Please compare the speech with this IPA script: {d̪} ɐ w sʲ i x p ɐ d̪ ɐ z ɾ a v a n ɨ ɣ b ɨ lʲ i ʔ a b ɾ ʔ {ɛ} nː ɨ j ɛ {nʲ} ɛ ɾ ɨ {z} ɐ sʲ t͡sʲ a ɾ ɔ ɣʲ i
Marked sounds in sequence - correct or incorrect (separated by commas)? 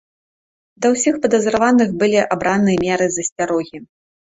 correct, incorrect, incorrect, correct